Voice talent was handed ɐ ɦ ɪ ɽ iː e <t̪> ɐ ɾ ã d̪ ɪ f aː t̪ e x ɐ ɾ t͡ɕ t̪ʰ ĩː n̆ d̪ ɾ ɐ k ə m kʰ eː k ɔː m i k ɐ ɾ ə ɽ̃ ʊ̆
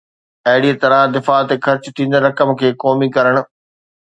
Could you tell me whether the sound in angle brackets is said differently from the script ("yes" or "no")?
no